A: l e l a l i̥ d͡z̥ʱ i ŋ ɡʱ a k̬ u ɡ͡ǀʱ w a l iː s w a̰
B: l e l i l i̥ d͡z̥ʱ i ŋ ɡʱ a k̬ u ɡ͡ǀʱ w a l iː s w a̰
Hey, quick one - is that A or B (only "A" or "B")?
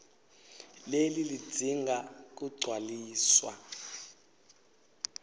B